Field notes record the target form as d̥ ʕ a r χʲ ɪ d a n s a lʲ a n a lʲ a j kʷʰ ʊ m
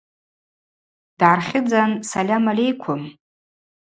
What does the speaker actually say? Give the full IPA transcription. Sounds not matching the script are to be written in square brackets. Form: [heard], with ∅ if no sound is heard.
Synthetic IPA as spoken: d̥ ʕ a r χʲ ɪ [d͡z] a n s a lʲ a [m] a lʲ [e] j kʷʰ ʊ m